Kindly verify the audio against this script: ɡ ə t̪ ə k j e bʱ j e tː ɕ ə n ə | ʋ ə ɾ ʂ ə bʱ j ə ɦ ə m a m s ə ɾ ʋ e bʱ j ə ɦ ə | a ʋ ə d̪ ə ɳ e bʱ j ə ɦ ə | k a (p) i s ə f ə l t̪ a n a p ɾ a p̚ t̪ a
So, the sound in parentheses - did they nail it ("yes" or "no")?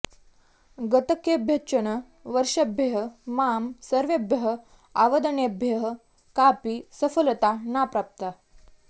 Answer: yes